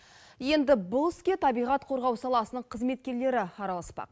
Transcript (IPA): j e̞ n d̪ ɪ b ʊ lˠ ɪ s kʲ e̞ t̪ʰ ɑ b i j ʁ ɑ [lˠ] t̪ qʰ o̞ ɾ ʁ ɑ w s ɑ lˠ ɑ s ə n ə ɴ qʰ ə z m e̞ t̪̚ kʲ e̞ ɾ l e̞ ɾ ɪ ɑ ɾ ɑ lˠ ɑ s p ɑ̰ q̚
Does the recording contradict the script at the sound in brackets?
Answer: yes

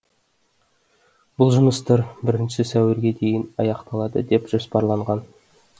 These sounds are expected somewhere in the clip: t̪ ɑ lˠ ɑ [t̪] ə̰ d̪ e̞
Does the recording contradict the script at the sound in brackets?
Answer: yes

